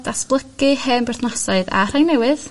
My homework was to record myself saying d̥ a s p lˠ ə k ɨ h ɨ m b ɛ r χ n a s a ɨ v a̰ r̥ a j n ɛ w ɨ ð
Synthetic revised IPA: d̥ a s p lˠ ə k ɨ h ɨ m b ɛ r θ n a s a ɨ ð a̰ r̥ a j n ɛ w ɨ ð